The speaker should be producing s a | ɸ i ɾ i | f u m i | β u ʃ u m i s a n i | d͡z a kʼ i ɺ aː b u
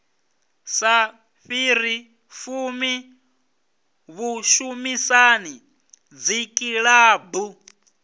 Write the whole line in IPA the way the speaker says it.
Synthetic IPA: s a | ɸ i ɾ i | f u m i | β u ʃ u m i s a n i | d͡z i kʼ i ɺ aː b u